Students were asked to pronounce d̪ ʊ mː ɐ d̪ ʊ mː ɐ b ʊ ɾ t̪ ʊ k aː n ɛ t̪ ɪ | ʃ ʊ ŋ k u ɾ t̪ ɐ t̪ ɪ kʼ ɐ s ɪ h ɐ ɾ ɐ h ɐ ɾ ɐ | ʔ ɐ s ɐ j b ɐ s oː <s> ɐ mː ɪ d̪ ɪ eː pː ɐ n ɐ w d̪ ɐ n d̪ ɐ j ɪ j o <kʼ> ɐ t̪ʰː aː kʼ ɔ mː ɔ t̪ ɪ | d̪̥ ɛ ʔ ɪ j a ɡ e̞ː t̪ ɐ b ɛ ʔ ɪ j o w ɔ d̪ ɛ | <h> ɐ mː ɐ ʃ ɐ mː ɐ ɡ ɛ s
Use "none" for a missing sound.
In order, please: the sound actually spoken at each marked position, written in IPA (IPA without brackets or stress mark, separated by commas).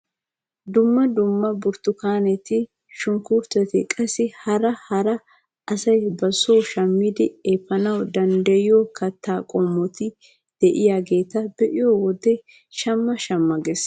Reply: ʃ, k, ʃ